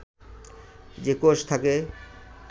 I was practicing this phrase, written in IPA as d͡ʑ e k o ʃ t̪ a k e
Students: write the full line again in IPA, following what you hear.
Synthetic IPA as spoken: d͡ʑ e k o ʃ t̪ʰ a k e